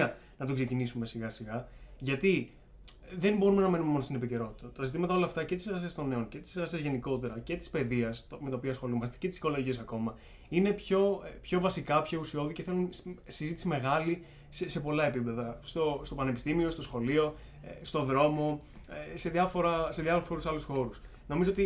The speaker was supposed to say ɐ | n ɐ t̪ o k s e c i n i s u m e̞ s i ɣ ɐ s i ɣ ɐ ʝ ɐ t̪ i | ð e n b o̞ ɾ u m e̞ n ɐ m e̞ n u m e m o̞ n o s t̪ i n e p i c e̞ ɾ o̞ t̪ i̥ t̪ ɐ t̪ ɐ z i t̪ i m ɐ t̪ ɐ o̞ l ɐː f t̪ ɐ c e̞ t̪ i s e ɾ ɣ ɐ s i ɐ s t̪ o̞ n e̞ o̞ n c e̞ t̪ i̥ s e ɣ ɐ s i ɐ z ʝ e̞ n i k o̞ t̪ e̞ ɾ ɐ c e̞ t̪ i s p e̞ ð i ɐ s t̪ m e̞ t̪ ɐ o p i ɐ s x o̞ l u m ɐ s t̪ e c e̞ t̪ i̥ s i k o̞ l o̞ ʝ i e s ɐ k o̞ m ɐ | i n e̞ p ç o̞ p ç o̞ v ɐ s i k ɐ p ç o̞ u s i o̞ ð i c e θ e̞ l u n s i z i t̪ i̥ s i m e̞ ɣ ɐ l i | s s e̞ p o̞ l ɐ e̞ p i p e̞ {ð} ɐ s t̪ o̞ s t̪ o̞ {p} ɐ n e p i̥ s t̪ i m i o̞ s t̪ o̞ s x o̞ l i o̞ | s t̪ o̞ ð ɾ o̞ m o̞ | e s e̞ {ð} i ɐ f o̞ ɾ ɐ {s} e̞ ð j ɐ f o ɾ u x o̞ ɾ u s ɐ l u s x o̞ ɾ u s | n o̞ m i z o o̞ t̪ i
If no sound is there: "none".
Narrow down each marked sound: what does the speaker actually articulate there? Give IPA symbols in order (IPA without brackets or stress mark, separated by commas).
ð, p, ð, s